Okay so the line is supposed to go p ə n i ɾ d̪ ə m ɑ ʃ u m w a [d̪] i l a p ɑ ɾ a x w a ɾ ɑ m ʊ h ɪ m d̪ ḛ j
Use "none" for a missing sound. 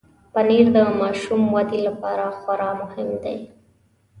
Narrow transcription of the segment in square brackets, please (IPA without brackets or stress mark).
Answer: d̪